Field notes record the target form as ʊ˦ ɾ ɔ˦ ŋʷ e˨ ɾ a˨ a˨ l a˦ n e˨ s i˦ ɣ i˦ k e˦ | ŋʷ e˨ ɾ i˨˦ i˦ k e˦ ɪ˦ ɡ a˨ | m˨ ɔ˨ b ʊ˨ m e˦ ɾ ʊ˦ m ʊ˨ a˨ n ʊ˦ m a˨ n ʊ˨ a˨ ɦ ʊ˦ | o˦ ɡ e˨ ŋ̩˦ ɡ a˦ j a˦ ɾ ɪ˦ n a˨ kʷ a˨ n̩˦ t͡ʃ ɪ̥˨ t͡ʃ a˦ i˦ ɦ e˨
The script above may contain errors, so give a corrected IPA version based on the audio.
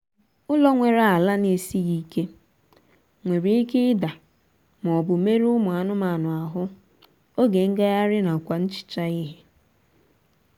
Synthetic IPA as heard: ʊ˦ l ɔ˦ ŋʷ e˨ ɾ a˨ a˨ l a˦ n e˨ s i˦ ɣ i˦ k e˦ | ŋʷ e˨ ɾ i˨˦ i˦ k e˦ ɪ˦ d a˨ | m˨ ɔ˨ b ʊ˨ m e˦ ɾ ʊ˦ m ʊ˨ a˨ n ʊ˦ m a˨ n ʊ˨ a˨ ɦ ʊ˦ | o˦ ɡ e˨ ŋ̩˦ ɡ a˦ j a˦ ɾ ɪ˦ n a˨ kʷ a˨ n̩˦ t͡ʃ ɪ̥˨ t͡ʃ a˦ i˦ ɦ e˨

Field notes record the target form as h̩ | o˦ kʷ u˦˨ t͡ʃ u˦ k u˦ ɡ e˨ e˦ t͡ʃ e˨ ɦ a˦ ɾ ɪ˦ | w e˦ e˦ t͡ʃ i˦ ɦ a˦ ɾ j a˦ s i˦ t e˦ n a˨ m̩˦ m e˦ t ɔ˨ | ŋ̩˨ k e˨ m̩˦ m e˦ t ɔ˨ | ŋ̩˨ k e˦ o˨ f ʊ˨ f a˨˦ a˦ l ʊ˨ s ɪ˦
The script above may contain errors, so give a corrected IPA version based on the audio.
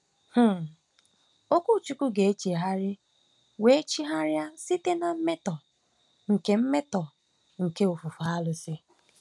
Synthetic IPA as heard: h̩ | o˦ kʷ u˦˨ t͡ʃ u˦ k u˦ ɡ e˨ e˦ t͡ʃ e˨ ɦ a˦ ɾ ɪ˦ | w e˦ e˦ t͡ʃ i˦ ɦ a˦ ɾ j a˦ s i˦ t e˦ n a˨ m̩˦ m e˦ t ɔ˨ | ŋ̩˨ k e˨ m̩˦ m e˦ t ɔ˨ | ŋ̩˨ k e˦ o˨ f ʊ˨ f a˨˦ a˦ l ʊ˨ s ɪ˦

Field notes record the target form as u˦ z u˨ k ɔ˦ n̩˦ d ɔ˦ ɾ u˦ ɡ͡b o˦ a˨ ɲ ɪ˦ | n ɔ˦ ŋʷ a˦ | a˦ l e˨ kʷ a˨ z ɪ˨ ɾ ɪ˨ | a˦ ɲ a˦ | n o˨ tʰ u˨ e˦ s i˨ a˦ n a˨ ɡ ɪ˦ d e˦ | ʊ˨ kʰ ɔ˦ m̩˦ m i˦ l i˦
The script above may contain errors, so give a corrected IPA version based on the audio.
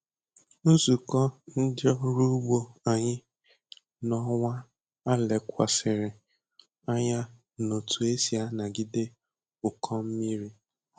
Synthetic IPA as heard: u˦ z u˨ k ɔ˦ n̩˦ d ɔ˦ ɾ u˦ ɡ͡b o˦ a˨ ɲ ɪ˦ | n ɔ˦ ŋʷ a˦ | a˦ l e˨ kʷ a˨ s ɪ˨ ɾ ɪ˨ | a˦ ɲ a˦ | n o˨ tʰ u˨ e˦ s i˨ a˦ n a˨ ɡ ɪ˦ d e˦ | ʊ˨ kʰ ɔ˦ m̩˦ m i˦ ɾ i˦

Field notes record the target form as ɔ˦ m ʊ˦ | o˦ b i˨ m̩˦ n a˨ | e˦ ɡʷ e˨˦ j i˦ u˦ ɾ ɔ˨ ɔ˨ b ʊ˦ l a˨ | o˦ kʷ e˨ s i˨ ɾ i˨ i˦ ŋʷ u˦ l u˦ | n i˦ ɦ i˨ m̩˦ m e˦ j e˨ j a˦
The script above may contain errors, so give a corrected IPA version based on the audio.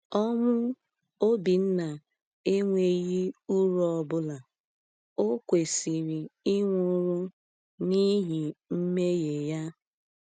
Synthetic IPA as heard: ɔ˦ m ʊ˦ | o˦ b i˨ n̩˦ n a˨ | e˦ ŋʷ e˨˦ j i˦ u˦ ɾ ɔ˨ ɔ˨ b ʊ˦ l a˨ | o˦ kʷ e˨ s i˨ ɾ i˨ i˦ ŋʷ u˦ ɾ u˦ | n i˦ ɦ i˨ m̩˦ m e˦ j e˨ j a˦

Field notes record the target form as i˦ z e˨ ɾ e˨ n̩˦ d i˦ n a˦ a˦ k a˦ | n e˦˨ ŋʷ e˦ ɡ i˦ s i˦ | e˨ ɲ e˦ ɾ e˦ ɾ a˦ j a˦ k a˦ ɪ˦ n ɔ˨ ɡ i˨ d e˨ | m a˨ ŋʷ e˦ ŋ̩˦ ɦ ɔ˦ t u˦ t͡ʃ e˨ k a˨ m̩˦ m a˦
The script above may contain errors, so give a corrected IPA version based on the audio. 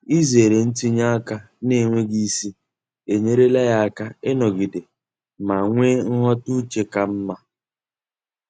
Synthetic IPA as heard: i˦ z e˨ ɾ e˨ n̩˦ t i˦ ɲ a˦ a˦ k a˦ | n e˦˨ ŋʷ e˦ ɡ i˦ s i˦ | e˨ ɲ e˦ ɾ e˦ l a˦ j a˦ k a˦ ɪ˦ n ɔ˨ ɡ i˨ d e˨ | m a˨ ŋʷ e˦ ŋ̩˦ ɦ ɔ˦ t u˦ t͡ʃ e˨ k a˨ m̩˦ m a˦

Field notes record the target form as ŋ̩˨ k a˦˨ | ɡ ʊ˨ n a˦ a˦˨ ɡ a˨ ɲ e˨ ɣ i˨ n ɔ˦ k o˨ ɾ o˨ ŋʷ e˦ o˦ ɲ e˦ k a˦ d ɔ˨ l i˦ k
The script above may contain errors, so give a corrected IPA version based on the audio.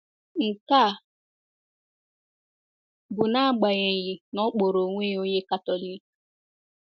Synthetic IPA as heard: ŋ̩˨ k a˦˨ | b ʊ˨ n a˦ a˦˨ ɡ͡b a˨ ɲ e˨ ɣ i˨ n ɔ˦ k͡p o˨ ɾ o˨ ŋʷ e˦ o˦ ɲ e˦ k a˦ t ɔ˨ l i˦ k

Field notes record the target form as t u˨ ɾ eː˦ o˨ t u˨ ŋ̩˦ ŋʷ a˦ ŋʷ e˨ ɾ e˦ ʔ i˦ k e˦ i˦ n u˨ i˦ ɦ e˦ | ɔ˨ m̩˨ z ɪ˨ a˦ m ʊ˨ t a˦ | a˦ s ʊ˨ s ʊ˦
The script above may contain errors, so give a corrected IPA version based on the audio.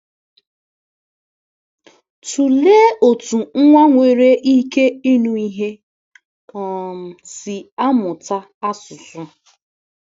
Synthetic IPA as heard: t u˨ l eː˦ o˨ t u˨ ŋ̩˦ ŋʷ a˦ ŋʷ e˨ ɾ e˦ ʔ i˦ k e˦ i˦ n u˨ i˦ ɦ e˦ | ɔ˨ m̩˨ s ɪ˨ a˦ m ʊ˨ t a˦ | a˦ s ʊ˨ s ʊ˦

